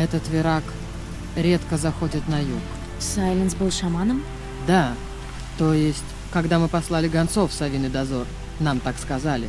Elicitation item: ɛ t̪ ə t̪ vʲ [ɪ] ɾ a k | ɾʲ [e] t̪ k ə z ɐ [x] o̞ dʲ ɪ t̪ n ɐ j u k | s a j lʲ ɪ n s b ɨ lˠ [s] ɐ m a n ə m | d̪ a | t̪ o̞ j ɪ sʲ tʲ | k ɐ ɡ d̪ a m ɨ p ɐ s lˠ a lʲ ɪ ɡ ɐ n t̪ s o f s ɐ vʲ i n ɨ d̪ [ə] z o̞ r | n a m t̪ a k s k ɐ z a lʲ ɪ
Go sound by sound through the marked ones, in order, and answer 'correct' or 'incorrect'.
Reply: correct, correct, correct, incorrect: ʂ, incorrect: ɐ

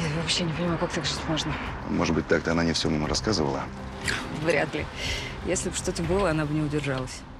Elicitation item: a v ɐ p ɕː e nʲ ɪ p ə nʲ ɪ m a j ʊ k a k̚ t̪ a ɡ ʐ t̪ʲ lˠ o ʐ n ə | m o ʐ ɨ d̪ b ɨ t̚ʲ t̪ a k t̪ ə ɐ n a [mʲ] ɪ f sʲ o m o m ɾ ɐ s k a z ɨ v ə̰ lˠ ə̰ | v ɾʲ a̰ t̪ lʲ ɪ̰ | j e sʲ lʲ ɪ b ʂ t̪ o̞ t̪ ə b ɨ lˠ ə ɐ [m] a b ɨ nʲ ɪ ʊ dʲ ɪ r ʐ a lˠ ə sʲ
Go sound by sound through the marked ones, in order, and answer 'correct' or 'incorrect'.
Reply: incorrect: nʲ, incorrect: n

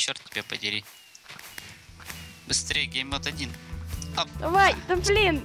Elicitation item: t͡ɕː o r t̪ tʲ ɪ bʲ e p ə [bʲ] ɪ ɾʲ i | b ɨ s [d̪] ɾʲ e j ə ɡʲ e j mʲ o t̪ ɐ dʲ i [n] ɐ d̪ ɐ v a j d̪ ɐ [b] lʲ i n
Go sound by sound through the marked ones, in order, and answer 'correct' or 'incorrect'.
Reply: incorrect: dʲ, incorrect: t̪, correct, correct

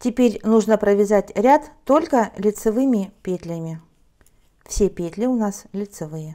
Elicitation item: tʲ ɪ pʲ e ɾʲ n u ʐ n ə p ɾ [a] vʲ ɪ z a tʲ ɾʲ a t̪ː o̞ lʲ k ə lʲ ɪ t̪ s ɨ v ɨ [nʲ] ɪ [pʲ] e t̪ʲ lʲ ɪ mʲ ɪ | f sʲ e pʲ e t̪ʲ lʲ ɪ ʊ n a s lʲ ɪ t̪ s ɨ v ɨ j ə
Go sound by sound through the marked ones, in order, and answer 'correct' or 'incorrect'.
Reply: incorrect: ə, incorrect: mʲ, correct

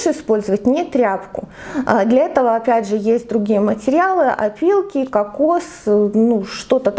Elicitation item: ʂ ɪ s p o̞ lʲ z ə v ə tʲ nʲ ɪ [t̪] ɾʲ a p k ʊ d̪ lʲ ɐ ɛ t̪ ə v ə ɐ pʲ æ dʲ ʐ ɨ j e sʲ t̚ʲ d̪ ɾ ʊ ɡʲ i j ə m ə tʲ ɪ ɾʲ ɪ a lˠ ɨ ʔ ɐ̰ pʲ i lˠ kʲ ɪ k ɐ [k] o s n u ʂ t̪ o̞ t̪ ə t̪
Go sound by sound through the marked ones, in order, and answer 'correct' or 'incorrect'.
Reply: correct, correct

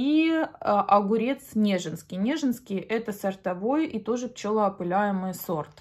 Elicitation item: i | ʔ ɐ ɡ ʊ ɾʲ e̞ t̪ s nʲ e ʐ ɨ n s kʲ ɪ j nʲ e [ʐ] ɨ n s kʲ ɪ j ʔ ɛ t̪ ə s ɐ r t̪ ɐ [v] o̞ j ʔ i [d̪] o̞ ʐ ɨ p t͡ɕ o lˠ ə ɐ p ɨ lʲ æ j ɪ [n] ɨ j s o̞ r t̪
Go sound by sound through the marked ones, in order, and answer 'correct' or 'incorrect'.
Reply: correct, correct, incorrect: t̪, incorrect: m

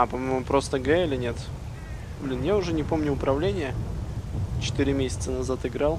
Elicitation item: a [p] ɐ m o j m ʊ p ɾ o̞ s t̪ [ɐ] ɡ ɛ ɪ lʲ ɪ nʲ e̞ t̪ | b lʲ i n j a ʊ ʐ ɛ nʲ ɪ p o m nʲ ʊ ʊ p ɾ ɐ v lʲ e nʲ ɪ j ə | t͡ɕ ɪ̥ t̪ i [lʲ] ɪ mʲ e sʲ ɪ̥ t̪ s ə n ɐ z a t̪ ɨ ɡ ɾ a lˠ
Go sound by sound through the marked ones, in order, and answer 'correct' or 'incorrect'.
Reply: correct, incorrect: ə, incorrect: ɾʲ

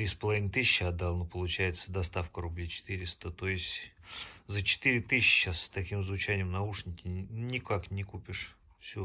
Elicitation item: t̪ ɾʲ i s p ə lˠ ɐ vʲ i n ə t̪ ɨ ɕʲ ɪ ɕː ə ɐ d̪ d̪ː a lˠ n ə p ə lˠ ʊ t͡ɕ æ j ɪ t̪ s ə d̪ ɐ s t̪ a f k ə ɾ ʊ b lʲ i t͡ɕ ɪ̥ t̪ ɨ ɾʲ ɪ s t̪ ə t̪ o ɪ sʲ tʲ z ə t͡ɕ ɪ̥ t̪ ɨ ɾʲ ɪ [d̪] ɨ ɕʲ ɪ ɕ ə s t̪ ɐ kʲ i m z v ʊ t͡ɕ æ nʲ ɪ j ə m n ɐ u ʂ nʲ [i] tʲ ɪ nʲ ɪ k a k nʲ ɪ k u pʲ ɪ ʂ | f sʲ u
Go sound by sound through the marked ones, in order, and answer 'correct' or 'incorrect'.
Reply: incorrect: t̪, incorrect: ɪ

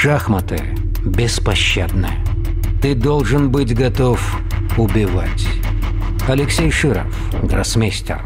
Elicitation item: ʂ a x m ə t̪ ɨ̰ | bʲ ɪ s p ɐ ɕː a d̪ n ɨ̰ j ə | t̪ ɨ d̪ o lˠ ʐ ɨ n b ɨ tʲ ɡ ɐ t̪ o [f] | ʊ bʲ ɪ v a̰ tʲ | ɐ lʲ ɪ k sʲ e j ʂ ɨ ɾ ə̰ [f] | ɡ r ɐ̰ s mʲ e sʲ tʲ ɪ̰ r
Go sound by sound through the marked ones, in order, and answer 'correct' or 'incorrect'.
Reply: correct, correct

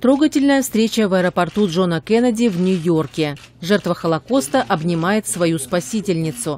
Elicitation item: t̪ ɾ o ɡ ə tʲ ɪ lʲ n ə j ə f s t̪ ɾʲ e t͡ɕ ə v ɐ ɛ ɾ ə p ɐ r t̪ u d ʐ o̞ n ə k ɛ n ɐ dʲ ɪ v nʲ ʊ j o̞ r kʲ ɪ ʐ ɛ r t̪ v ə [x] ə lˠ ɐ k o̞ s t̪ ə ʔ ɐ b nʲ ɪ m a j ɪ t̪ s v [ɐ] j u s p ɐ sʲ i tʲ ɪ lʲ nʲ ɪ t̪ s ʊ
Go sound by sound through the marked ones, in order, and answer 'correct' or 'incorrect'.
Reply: correct, correct

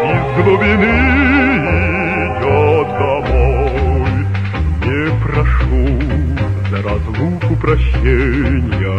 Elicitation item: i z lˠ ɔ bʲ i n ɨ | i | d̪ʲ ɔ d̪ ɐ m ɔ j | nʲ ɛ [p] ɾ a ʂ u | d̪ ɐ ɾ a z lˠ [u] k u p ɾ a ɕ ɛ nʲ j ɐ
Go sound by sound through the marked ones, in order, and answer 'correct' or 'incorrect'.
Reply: correct, correct

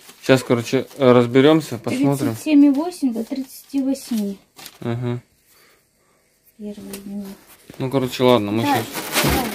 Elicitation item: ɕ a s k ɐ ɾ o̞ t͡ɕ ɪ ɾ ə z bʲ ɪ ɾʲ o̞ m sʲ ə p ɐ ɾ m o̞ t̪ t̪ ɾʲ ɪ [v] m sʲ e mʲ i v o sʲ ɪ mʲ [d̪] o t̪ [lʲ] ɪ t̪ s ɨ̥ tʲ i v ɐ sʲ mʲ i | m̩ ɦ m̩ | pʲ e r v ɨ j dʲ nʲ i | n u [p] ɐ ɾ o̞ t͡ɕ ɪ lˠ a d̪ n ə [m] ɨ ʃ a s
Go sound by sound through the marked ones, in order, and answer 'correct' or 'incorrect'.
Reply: incorrect: none, correct, incorrect: ɾʲ, incorrect: k, correct

